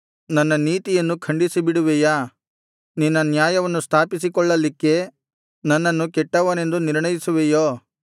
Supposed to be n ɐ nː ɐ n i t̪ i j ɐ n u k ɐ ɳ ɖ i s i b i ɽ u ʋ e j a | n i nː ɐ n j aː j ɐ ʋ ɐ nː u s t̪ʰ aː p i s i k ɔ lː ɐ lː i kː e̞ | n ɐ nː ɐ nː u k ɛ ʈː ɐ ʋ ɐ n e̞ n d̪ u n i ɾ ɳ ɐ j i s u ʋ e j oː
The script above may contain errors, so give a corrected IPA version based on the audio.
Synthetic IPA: n ɐ nː ɐ n iː t̪ i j ɐ nː u kʰ ɐ ɳ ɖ i s i b i ɽ u ʋ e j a | n i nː ɐ n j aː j ɐ ʋ ɐ nː u s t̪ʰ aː p i s i k ɔ ɭː ɐ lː i kː e̞ | n ɐ nː ɐ nː u k ɛ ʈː ɐ ʋ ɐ n e̞ n d̪ u n i ɾ ɳ ɐ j i s u ʋ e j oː